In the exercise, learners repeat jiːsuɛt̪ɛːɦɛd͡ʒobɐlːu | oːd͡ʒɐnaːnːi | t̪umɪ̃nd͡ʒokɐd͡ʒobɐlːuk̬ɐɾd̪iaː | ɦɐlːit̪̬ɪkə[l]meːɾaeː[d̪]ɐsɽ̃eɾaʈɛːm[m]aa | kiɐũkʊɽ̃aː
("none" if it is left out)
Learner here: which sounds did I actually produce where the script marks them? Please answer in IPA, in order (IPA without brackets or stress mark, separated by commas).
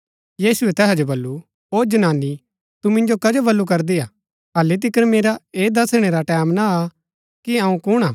ɾ, d̪, n